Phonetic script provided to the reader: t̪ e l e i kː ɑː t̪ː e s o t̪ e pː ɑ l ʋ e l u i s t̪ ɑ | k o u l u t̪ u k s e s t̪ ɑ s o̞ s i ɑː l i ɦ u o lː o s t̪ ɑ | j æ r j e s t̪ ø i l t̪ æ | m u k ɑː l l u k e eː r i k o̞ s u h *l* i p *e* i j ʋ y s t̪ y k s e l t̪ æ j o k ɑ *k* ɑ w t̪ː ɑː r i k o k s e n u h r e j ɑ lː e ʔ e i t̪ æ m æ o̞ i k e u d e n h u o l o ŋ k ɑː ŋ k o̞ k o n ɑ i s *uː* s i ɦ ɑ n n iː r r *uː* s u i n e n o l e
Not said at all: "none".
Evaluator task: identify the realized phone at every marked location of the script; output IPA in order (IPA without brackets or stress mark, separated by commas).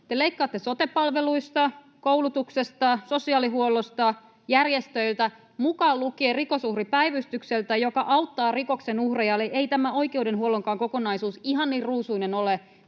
r, æ, ʔ, uː, uː